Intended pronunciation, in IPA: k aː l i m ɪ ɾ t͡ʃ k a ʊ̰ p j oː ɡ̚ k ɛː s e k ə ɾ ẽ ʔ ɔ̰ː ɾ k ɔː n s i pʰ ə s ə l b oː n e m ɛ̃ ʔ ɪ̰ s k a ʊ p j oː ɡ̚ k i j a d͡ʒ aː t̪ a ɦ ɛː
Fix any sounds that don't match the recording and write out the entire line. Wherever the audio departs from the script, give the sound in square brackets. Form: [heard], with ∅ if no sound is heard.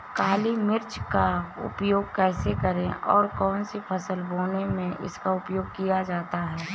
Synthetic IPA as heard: k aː l i m ɪ ɾ t͡ʃ k a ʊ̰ p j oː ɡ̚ k ɛː s e k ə ɾ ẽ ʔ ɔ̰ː ɾ k ɔː n s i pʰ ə s ə l b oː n e m [ẽ] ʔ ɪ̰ s k a ʊ p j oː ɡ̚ k i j a d͡ʒ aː t̪ a ɦ ɛː